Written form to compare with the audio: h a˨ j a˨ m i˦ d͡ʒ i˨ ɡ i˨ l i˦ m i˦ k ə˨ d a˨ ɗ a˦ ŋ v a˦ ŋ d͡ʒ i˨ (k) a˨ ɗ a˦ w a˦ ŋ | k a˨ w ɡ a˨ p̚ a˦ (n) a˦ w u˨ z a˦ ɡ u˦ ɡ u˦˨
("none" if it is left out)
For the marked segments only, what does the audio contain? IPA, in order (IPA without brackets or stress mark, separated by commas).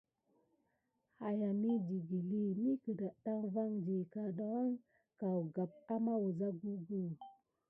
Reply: k, m